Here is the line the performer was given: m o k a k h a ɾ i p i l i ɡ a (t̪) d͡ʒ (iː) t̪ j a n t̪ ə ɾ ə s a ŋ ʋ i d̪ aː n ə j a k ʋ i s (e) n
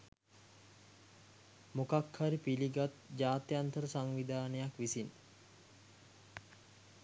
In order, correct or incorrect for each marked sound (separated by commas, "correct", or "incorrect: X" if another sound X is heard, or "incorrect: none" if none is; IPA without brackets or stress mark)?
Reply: correct, incorrect: aː, incorrect: i